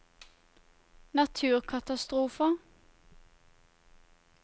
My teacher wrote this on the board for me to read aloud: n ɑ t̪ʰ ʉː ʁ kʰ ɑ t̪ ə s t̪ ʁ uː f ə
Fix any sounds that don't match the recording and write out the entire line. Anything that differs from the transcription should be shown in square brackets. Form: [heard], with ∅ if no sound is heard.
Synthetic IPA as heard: n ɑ t̪ʰ ʉː ʁ kʰ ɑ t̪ [ɑ] s t̪ ʁ uː f ə